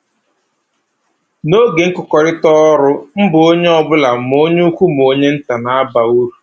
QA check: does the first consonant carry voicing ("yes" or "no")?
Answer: yes